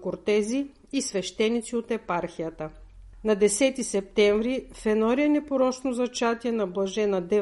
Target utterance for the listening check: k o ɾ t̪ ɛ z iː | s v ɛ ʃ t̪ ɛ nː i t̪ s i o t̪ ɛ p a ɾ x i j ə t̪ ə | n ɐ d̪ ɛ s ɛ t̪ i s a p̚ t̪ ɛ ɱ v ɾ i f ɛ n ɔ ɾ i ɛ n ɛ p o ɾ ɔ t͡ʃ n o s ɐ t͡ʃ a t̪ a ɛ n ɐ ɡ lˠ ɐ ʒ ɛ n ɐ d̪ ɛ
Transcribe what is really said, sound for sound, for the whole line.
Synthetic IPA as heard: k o ɾ t̪ ɛ z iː | s v ɛ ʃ t̪ ɛ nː i t̪ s i o t̪ ɛ p a ɾ x i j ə t̪ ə | n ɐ d̪ ɛ s ɛ t̪ i s ɛ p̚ t̪ ɛ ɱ v ɾ i f ɛ n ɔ ɾ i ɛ n ɛ p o ɾ ɔ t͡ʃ n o z ɐ t͡ʃ a t̪ i ɛ n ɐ b lˠ ɐ ʒ ɛ n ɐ d̪ ɛ